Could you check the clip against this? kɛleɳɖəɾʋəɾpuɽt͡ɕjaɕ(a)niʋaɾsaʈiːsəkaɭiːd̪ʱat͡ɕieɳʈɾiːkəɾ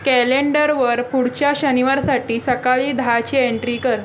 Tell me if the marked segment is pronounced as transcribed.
no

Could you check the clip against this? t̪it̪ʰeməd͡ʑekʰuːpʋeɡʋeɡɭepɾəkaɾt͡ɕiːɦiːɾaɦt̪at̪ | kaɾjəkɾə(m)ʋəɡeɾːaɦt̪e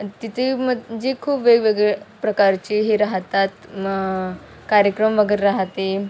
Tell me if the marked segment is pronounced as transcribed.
yes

